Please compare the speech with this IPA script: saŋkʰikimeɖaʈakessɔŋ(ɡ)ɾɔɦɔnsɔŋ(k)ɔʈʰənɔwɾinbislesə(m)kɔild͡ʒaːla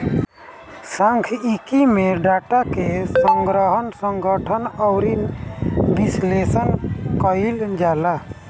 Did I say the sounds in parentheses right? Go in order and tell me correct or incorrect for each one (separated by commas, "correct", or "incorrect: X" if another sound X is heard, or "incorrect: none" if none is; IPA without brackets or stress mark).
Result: correct, incorrect: ɡ, incorrect: n